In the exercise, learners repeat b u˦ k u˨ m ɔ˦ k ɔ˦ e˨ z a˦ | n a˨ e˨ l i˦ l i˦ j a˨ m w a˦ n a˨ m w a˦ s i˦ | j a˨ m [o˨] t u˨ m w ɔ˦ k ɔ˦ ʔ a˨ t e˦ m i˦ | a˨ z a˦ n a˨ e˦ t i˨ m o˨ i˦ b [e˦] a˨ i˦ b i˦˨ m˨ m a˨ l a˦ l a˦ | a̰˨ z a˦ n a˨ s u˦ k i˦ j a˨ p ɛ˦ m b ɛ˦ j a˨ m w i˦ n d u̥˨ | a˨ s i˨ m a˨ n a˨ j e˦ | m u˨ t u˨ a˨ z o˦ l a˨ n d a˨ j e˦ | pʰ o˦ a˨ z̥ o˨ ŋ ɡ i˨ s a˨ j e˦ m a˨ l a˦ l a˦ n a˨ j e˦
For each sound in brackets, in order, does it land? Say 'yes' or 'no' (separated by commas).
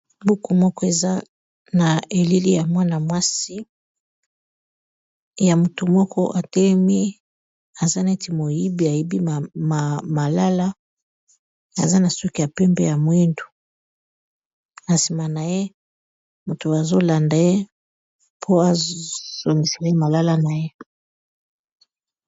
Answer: no, no